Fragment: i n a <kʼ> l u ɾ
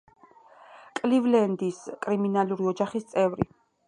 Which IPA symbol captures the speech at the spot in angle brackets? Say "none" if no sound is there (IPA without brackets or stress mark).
none